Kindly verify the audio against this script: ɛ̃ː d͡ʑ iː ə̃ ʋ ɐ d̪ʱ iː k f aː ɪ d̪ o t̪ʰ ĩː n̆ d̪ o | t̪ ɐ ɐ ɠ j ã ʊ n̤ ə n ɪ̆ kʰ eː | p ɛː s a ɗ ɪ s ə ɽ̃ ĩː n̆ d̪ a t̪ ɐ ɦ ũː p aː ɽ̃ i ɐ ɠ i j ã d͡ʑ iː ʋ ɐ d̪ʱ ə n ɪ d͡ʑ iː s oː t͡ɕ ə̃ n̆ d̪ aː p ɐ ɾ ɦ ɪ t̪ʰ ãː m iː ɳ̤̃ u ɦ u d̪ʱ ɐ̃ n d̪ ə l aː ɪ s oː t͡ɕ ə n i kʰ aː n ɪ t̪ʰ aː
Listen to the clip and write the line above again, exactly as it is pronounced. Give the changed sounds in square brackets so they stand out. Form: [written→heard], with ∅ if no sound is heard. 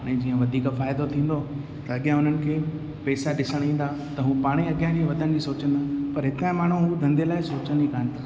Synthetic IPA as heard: ɛ̃ː d͡ʑ iː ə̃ ʋ ɐ d̪ʱ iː k f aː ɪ d̪ o t̪ʰ ĩː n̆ d̪ o | t̪ ɐ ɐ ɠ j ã ʊ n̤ ə n ɪ̆ kʰ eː | p ɛː s a ɗ ɪ s ə ɽ̃ ĩː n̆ d̪ a t̪ ɐ ɦ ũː p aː ɽ̃ i ɐ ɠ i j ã d͡ʑ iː ʋ ɐ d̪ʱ ə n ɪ d͡ʑ iː s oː t͡ɕ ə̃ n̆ d̪ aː p ɐ ɾ ɦ ɪ [t̪ʰ→t̪] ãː m [iː→aː] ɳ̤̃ u ɦ u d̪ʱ ɐ̃ n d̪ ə l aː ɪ s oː t͡ɕ ə n i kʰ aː n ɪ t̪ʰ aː